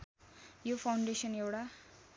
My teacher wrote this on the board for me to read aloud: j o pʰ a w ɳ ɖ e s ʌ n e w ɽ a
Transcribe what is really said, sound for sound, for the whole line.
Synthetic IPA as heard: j o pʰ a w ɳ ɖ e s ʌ n e w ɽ a